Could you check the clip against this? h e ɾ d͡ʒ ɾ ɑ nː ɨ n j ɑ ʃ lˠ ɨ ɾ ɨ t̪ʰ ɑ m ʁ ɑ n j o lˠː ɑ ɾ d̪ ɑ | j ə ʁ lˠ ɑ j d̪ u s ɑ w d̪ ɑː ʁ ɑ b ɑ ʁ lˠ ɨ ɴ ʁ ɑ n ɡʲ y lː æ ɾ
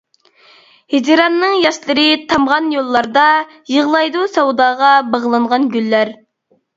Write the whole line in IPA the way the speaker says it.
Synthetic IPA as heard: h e d͡ʒ ɾ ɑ nː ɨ ŋ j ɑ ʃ lˠ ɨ ɾ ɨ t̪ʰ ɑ m ʁ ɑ n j o lˠː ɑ ɾ d̪ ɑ | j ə ʁ lˠ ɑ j d̪ u s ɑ w d̪ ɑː ʁ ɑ b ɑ ʁ lˠ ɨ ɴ ʁ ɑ n ɡʲ y lː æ ɾ